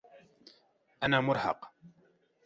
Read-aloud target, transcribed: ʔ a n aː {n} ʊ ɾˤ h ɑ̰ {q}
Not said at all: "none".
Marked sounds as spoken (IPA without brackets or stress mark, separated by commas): m, q